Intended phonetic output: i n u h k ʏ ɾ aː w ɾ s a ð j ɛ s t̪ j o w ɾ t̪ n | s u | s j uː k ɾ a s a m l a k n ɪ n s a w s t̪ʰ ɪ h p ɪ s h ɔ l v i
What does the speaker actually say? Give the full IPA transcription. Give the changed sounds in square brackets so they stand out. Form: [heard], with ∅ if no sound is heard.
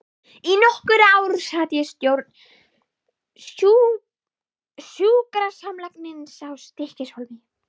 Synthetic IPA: i n [ɔ] h k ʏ ɾ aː w ɾ s a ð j ɛ s t̪ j o w ɾ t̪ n | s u | s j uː k ɾ a s a m l a k n ɪ n s a w s [t̪] ɪ h [c] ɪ s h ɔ l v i